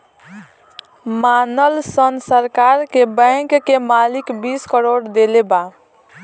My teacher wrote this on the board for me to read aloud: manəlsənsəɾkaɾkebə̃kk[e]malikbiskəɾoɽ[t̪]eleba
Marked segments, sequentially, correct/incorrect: correct, incorrect: d̪

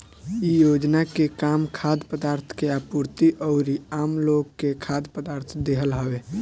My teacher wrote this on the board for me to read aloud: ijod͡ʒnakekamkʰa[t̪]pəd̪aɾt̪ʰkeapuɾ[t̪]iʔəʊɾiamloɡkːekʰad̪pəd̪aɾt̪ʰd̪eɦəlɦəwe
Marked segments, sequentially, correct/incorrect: incorrect: d̪, correct

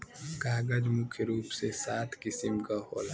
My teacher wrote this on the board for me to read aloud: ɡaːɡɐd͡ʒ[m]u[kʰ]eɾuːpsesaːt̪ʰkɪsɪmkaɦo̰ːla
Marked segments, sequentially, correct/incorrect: correct, correct

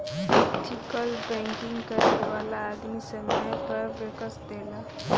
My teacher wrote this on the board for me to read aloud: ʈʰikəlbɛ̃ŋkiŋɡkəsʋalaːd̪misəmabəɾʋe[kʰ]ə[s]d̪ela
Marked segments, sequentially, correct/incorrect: incorrect: k, correct

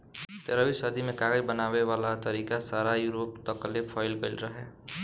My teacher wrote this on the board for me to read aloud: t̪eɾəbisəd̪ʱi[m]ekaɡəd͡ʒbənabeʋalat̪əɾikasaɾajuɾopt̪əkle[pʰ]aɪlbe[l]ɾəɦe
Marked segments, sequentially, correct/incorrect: correct, correct, correct

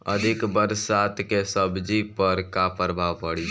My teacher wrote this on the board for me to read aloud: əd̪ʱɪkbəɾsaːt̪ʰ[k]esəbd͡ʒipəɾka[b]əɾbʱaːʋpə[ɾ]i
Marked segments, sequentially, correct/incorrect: correct, incorrect: p, incorrect: ɽ

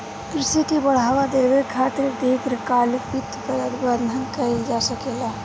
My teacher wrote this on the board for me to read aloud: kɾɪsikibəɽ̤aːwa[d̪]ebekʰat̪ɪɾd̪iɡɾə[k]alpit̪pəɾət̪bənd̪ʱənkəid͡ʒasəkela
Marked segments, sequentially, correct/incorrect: correct, correct

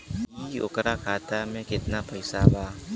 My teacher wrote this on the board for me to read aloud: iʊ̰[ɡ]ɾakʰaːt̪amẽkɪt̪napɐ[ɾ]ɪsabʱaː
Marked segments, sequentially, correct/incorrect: incorrect: k, incorrect: none

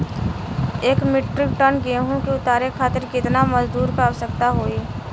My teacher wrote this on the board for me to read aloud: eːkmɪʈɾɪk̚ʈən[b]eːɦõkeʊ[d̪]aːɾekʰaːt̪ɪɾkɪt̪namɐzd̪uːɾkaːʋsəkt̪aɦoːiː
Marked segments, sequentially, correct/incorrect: incorrect: ɡ, incorrect: t̪

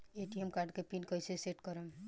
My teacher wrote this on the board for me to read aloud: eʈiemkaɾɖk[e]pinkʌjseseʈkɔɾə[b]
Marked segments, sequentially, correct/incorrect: correct, incorrect: m

